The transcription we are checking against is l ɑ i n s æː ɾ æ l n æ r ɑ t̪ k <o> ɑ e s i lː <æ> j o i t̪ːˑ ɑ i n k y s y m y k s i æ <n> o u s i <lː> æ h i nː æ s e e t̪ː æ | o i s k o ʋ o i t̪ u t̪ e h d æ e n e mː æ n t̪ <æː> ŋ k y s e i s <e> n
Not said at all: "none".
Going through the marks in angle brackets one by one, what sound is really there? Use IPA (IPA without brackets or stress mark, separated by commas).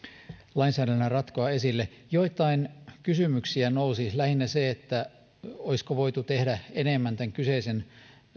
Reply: o, e, n, l, æ, e